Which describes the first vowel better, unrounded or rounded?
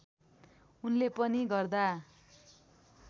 rounded